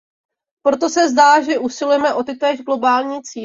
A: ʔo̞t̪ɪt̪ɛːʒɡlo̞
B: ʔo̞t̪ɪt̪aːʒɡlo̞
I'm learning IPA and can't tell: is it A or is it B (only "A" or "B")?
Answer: A